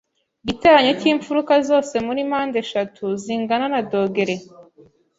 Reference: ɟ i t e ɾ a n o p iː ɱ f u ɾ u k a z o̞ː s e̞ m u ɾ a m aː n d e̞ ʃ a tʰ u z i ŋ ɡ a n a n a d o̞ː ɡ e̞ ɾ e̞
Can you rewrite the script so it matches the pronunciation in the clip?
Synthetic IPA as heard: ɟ i t e ɾ a ɲ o c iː ɱ f u ɾ u k a z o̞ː s e̞ m u ɾ i m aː n d e̞ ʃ a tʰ u z i ŋ ɡ a n a n a d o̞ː ɡ e̞ ɾ e̞